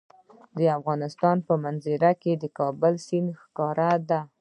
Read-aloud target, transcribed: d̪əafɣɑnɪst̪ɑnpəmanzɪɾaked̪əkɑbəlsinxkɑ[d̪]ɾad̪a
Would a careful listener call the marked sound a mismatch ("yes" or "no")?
yes